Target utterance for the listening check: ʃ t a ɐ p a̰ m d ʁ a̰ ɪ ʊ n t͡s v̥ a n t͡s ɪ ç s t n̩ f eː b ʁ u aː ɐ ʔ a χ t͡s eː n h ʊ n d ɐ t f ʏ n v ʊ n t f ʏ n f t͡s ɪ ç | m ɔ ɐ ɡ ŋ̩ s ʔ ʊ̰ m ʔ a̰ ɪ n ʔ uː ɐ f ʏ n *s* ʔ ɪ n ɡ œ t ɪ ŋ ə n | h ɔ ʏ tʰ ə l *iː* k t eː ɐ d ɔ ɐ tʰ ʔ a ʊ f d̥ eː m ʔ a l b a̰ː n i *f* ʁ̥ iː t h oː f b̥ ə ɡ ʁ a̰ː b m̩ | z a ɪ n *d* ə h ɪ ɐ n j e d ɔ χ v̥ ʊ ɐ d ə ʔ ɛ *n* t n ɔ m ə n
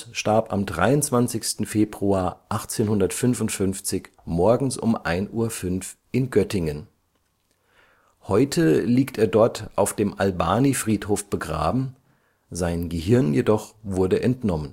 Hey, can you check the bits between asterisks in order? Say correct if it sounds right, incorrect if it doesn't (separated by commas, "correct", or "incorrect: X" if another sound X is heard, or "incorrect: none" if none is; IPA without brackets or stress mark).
incorrect: f, correct, correct, incorrect: ɡ, correct